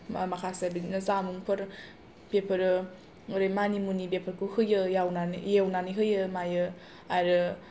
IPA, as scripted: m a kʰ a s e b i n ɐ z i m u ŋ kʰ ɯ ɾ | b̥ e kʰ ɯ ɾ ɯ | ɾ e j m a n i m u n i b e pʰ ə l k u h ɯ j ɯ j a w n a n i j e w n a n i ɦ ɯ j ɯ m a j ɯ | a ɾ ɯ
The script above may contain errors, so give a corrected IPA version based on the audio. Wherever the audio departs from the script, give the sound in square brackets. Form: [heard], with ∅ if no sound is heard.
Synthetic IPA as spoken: m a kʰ a s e b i n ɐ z [a] m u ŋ [pʰ] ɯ ɾ | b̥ e [pʰ] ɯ ɾ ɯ | ɾ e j m a n i m u n i b e pʰ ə [ɾ] k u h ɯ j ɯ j a w n a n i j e w n a n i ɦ ɯ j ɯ m a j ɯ | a ɾ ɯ